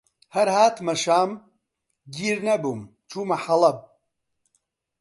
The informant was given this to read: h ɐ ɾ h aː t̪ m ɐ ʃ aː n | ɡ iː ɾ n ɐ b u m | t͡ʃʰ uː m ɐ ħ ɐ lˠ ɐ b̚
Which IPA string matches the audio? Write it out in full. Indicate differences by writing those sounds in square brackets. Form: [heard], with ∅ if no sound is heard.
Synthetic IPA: h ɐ ɾ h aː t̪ m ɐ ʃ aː [m] | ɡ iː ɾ n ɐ b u m | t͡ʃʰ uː m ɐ ħ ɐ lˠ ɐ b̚